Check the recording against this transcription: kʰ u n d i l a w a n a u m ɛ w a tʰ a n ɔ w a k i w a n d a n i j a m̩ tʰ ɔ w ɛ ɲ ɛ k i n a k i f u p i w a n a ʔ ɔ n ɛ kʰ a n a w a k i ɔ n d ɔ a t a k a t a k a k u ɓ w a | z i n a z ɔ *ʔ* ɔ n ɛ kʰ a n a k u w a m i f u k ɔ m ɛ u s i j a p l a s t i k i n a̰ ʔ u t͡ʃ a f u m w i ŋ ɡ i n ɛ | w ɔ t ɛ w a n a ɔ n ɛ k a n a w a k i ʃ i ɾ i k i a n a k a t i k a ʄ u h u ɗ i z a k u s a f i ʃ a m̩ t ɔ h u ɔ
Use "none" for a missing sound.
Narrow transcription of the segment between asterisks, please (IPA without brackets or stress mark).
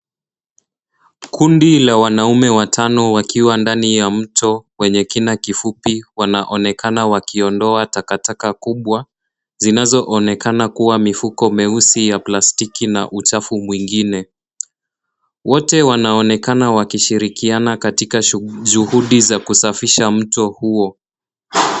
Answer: ʔ